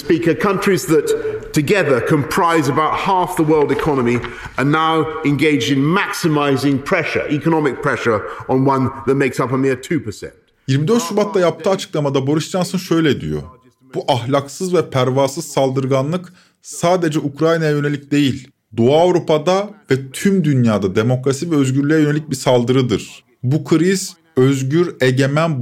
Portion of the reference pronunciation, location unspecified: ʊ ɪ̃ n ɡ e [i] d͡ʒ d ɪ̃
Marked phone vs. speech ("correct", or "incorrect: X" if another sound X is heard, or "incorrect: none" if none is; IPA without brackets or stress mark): incorrect: ɪ